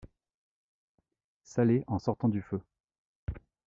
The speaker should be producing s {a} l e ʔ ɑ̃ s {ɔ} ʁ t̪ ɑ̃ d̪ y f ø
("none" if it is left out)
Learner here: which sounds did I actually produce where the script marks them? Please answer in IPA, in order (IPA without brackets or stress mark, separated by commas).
a, ɔ